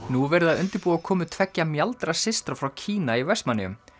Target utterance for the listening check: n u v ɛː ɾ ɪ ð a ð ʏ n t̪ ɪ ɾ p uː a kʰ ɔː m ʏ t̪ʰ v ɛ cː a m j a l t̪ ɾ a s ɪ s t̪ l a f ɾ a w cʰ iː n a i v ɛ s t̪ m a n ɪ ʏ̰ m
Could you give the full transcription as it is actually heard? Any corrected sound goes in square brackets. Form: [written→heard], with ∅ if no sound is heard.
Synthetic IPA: n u v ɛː ɾ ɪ ð a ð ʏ n t̪ ɪ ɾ p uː a kʰ ɔː m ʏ t̪ʰ v ɛ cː a m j a l t̪ ɾ a s ɪ s t̪ [l→ɾ] a f ɾ a w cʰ iː n a i v ɛ s t̪ m a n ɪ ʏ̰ m